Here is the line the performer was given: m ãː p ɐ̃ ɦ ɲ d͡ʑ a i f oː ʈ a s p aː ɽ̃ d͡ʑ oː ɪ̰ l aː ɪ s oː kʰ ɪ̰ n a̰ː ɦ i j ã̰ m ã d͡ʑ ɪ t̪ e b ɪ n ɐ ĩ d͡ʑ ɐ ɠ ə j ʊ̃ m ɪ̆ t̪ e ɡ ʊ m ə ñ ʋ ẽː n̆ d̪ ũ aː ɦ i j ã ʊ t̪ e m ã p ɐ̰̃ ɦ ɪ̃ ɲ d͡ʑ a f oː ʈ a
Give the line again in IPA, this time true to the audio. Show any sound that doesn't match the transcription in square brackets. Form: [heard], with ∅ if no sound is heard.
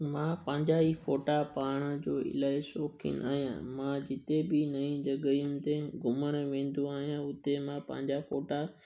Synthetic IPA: m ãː p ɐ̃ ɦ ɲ d͡ʑ a i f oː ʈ a [∅] p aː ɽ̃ d͡ʑ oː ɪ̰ l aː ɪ s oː kʰ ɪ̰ n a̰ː ɦ i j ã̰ m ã d͡ʑ ɪ t̪ e b ɪ n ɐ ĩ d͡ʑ ɐ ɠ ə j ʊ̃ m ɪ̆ t̪ e ɡ ʊ m ə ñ ʋ ẽː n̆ d̪ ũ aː ɦ i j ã ʊ t̪ e m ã p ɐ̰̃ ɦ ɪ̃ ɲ d͡ʑ a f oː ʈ a

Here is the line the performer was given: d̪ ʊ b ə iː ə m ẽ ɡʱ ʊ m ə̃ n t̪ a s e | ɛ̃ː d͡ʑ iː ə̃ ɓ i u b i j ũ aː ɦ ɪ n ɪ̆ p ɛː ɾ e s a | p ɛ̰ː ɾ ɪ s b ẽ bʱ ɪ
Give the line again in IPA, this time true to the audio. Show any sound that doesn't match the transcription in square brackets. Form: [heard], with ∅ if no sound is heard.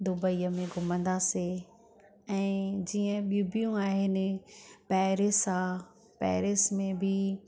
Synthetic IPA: d̪ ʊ b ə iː ə m ẽ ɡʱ ʊ m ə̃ n [d̪] a s e | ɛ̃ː d͡ʑ iː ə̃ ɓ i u b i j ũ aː ɦ ɪ n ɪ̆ p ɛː ɾ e s a | p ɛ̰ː ɾ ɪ s [m] ẽ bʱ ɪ

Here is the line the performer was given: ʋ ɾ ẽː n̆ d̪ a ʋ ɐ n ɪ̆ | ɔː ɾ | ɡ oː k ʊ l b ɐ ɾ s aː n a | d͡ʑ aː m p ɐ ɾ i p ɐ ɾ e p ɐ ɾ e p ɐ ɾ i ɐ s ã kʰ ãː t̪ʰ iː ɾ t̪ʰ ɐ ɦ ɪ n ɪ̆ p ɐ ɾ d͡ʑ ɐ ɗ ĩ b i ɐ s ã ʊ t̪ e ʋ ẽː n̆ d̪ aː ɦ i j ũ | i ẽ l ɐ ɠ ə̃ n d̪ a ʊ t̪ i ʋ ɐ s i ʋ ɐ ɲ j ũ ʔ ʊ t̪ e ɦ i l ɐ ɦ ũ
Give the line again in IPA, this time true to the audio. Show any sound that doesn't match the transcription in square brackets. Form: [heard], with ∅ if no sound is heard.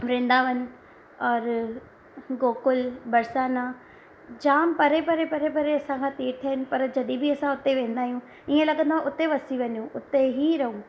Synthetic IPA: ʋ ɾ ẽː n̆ d̪ a ʋ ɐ n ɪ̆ | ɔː ɾ | ɡ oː k ʊ l b ɐ ɾ s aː n a | d͡ʑ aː m p ɐ ɾ [e] p ɐ ɾ e p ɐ ɾ e p ɐ ɾ [e] ɐ s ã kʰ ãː [t̪] iː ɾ t̪ʰ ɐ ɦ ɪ n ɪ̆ p ɐ ɾ d͡ʑ ɐ ɗ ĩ b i ɐ s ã ʊ t̪ e ʋ ẽː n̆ d̪ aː ɦ i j ũ | i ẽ l ɐ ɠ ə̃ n d̪ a ʊ t̪ [e] ʋ ɐ s i ʋ ɐ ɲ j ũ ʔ ʊ t̪ e ɦ i [ɾ] ɐ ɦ ũ

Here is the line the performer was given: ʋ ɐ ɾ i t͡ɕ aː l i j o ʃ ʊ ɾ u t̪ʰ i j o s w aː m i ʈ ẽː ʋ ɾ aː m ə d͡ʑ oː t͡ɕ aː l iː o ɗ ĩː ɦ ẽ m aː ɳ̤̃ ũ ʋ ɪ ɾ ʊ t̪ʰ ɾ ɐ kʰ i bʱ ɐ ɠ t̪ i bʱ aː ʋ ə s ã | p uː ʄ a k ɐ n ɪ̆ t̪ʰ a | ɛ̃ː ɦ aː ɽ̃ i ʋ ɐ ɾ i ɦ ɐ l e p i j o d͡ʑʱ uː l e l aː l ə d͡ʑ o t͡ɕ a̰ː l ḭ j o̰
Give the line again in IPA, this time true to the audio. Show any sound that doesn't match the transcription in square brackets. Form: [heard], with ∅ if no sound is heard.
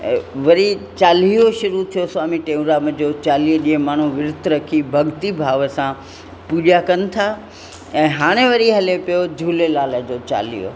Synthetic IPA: ʋ ɐ ɾ i t͡ɕ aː l i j o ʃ ʊ ɾ u t̪ʰ i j o s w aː m i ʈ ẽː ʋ ɾ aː m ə d͡ʑ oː t͡ɕ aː l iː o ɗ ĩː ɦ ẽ m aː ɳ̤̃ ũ ʋ ɪ ɾ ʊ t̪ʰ ɾ ɐ kʰ i bʱ ɐ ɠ t̪ i bʱ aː ʋ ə s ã | p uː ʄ a k ɐ n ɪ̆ t̪ʰ a | ɛ̃ː ɦ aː ɽ̃ [e] ʋ ɐ ɾ i ɦ ɐ l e p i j o d͡ʑʱ uː l e l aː l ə d͡ʑ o t͡ɕ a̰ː l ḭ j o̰

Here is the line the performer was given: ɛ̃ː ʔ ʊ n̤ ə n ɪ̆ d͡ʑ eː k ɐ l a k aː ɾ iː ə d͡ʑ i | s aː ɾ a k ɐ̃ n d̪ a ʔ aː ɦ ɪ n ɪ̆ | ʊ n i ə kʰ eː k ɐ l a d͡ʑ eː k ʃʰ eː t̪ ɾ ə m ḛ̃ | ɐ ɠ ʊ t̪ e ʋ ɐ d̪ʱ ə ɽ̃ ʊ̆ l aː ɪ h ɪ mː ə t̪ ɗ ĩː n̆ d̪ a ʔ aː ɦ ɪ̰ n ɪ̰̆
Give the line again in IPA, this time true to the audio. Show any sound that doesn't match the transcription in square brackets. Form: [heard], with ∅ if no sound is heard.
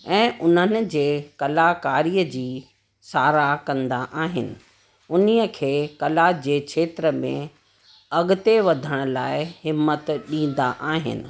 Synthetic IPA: ɛ̃ː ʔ ʊ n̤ ə n ɪ̆ d͡ʑ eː k ɐ l a k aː ɾ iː ə d͡ʑ [iː] | s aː ɾ a k ɐ̃ n d̪ a ʔ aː ɦ ɪ n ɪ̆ | ʊ n i ə kʰ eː k ɐ l a d͡ʑ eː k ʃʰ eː t̪ ɾ ə m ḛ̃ | ɐ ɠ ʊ t̪ e ʋ ɐ d̪ʱ ə ɽ̃ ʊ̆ l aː ɪ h ɪ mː ə t̪ ɗ ĩː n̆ d̪ a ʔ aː ɦ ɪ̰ n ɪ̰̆

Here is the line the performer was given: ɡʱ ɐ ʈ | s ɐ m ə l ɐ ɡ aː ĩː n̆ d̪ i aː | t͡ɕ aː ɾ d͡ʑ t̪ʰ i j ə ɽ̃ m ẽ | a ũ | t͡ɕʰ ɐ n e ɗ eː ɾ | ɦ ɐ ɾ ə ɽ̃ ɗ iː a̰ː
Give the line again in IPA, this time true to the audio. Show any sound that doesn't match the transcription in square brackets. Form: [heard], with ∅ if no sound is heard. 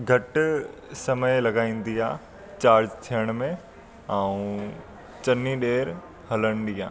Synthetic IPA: ɡʱ ɐ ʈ | s ɐ m ə l ɐ ɡ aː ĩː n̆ d̪ i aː | t͡ɕ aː ɾ d͡ʑ t̪ʰ i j ə ɽ̃ m ẽ | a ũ | [t͡ɕ] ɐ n [i] ɗ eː ɾ | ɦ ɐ [l] ə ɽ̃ ɗ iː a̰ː

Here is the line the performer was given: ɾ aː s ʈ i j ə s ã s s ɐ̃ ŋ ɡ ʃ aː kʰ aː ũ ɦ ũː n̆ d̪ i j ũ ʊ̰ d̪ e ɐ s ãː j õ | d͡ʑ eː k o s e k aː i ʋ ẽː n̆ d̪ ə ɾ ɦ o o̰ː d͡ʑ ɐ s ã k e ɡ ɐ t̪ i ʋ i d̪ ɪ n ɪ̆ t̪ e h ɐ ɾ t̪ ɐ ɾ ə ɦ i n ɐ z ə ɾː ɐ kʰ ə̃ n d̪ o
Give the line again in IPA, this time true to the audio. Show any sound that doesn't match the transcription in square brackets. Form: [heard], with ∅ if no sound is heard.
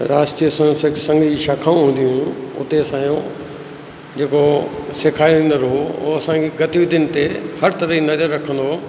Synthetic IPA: ɾ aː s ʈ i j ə s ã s s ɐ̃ ŋ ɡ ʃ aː kʰ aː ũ ɦ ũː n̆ d̪ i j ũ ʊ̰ [t̪] e ɐ s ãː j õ | d͡ʑ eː k o s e [kʰ] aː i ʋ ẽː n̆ d̪ ə ɾ ɦ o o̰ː [∅] ɐ s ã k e ɡ ɐ t̪ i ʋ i d̪ ɪ n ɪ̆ t̪ e h ɐ ɾ t̪ ɐ ɾ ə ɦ i n ɐ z ə ɾː ɐ kʰ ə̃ n d̪ o

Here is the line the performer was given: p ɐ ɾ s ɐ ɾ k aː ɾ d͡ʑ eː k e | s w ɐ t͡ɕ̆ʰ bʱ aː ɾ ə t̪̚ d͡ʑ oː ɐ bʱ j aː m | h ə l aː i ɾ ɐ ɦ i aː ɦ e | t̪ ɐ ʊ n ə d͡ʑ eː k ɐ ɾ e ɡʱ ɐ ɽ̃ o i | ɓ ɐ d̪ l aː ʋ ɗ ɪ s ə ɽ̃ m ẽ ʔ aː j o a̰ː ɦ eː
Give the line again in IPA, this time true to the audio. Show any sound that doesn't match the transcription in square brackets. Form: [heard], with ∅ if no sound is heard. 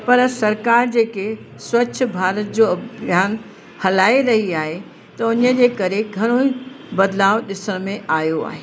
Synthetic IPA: p ɐ ɾ s ɐ ɾ k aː ɾ d͡ʑ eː k e | s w ɐ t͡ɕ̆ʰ bʱ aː ɾ ə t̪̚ d͡ʑ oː ɐ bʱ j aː [n] | h [ɐ] l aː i ɾ ɐ ɦ i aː ɦ e | t̪ ɐ ʊ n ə d͡ʑ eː k ɐ ɾ e ɡʱ ɐ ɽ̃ o i | [b] ɐ d̪ l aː ʋ ɗ ɪ s ə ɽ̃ m ẽ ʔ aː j o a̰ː ɦ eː

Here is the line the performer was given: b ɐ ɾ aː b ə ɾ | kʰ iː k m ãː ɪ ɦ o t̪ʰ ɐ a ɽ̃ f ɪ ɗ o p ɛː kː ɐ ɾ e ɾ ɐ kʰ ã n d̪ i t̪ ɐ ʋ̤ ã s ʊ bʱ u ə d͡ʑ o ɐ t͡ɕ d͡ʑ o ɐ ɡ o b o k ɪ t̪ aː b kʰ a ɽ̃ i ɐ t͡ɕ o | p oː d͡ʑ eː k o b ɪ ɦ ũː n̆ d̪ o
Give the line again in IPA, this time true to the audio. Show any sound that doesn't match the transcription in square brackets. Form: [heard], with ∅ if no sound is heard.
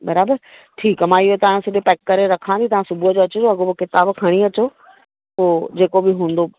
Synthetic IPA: b ɐ ɾ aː b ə ɾ | [ʈʰ] iː k m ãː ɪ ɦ o [t̪] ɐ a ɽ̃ [s] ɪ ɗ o p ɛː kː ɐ ɾ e ɾ ɐ kʰ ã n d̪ i t̪ ɐ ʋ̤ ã s ʊ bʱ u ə d͡ʑ o ɐ t͡ɕ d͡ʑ o ɐ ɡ o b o k ɪ t̪ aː b kʰ [ɐ] ɽ̃ i ɐ t͡ɕ o | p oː d͡ʑ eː k o b ɪ ɦ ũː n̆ d̪ o

